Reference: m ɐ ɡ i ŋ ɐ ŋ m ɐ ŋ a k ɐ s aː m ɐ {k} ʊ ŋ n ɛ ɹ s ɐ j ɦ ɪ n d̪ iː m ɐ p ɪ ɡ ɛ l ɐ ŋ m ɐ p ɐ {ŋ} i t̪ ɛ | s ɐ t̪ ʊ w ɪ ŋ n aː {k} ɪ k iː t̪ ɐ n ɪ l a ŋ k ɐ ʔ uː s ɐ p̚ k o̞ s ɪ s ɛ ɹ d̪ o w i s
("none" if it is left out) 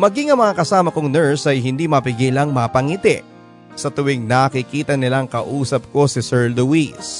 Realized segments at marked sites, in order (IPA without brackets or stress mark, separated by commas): k, ŋ, k